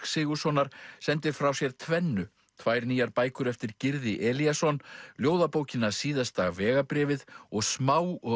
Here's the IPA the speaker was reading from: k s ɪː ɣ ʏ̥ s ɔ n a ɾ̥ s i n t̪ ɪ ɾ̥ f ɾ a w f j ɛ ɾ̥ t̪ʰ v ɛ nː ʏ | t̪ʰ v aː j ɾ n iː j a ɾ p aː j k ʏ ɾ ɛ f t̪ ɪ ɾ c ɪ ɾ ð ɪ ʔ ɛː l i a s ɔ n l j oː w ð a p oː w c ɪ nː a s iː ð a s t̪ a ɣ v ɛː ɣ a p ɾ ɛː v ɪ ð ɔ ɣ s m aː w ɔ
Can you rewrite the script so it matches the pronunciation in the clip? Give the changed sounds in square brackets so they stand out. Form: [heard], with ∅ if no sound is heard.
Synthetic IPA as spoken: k s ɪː ɣ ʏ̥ s ɔ n a ɾ̥ s [ɛ] n t̪ ɪ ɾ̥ f ɾ a w [s] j ɛ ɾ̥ t̪ʰ v ɛ nː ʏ | t̪ʰ v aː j ɾ n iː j a ɾ p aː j k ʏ ɾ ɛ f t̪ ɪ ɾ c ɪ ɾ ð ɪ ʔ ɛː l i a s ɔ n l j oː w ð a p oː w c ɪ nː a s iː ð a s t̪ a ɣ v ɛː ɣ a p ɾ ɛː v ɪ ð ɔ ɣ s m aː w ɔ

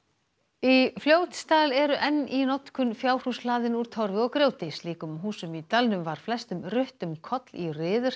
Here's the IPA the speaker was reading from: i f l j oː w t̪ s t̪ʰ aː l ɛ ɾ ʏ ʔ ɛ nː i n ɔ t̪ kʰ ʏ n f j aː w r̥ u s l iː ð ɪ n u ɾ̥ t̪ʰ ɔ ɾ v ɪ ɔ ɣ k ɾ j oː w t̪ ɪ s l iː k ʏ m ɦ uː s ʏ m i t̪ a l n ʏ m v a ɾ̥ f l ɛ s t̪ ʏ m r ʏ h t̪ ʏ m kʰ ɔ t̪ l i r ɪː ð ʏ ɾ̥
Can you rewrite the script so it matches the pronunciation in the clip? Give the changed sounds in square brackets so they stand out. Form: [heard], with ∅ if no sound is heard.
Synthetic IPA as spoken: i f l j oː w t̪ s [t̪] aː l ɛ ɾ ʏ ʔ ɛ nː i n ɔ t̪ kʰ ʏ n f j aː w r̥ u s l [aː] ð ɪ n u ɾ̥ t̪ʰ ɔ ɾ v ɪ ɔ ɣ k ɾ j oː w t̪ ɪ s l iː k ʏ m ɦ uː s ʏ m i t̪ a l n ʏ m v a ɾ̥ f l ɛ s t̪ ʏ m r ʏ h t̪ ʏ m kʰ ɔ t̪ l i r ɪː ð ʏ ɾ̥

